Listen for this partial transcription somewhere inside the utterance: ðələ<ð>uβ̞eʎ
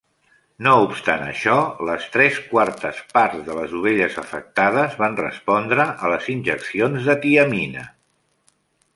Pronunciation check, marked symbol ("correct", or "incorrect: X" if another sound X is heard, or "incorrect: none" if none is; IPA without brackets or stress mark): incorrect: z